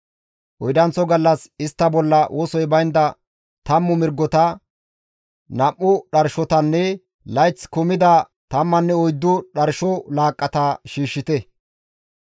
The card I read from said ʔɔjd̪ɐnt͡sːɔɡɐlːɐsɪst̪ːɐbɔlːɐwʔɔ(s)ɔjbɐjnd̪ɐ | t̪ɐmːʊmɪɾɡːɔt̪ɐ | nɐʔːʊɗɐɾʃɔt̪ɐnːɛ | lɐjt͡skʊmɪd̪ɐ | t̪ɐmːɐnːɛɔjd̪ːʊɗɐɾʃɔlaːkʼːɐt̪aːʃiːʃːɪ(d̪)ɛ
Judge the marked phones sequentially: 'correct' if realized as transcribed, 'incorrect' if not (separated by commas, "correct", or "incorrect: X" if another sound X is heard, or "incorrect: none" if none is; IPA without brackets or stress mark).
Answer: correct, incorrect: t̪